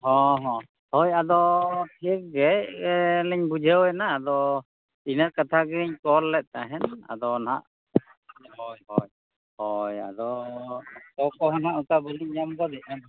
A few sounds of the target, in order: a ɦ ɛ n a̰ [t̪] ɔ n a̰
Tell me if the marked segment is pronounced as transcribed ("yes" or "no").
no